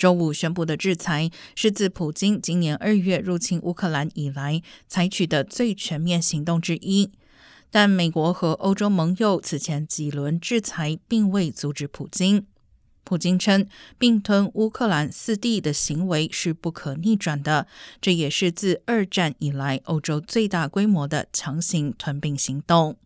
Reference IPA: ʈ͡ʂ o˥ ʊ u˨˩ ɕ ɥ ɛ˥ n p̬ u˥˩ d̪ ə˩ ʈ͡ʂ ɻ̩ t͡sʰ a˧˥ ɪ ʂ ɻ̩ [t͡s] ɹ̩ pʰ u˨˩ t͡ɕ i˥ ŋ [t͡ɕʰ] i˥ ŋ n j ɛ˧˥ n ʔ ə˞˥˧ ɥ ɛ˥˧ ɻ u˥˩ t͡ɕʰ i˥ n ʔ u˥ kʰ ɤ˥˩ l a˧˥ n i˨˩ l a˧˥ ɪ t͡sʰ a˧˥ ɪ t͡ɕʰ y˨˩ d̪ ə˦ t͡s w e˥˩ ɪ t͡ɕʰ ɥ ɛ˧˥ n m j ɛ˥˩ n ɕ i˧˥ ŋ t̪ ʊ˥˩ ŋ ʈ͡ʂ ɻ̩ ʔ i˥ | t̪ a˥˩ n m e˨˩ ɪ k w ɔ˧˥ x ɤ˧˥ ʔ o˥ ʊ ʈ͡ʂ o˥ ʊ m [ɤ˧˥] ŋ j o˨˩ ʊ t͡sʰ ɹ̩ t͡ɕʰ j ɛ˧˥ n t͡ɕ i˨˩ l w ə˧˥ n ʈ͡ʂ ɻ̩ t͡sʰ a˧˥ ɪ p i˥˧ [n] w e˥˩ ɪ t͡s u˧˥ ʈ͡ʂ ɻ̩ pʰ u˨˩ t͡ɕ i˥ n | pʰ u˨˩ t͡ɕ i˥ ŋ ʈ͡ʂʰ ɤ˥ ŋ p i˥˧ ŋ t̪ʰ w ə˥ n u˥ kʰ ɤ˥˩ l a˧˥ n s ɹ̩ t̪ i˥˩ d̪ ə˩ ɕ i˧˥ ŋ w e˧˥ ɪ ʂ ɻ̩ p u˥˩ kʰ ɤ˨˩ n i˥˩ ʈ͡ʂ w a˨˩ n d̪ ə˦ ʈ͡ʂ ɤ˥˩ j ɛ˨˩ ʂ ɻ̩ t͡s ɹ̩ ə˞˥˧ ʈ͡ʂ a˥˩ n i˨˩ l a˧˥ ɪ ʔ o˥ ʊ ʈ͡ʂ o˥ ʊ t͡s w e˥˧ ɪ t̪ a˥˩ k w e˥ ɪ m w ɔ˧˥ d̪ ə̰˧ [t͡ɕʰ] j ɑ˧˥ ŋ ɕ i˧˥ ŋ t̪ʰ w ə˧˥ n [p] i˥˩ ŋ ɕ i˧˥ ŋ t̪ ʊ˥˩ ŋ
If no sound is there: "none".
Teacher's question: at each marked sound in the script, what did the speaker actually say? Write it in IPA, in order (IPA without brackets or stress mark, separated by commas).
t͡s, t͡ɕ, ɤ˧˥, ŋ, t͡ɕʰ, p